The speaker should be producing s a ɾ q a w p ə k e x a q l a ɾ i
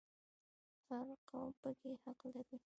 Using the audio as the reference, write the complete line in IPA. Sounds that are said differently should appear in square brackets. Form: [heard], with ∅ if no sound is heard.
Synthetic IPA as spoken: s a ɾ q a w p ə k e [h] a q l a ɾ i